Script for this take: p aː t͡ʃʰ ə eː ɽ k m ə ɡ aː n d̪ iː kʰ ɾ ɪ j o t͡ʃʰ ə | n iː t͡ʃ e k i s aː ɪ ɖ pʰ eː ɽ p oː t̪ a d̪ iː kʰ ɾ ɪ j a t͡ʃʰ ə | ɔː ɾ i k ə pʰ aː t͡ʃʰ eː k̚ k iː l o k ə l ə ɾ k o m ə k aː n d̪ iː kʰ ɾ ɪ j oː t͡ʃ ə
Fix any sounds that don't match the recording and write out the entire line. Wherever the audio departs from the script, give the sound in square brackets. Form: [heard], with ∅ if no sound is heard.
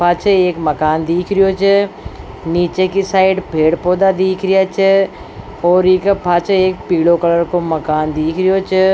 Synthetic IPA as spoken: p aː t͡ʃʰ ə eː [∅] k m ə [k] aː n d̪ iː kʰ ɾ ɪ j o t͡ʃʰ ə | n iː t͡ʃ e k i s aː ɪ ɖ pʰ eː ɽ p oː [d̪] a d̪ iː kʰ ɾ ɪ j a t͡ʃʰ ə | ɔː ɾ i k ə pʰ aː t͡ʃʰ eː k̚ [p] iː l o k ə l ə ɾ k o m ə k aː n d̪ iː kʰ ɾ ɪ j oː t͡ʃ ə